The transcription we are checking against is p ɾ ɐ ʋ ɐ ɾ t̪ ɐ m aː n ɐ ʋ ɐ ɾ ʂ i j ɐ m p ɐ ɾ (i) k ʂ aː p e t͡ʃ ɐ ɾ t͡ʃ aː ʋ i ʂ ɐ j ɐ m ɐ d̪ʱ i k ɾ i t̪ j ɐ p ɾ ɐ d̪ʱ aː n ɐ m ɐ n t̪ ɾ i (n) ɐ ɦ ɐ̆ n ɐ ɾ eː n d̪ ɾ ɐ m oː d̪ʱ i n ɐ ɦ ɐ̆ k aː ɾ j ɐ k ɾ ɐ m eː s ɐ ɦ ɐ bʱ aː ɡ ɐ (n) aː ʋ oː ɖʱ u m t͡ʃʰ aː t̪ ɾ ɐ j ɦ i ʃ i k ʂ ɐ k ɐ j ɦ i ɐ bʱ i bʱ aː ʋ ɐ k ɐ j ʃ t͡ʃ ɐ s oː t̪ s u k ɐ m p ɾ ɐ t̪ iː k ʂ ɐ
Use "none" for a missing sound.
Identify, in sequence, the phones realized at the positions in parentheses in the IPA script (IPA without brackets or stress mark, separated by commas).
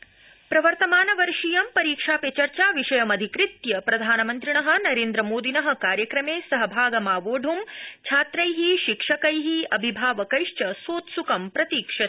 iː, ɳ, m